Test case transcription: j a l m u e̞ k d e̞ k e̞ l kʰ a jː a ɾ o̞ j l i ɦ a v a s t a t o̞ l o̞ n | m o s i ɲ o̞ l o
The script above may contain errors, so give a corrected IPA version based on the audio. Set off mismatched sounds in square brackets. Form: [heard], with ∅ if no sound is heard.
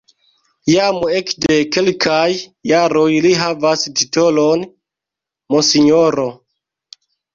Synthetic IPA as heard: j a [∅] m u e̞ k d e̞ k e̞ l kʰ a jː a ɾ o̞ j l i ɦ a v a s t [i] t o̞ l o̞ n | m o s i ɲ o̞ [ɾ] o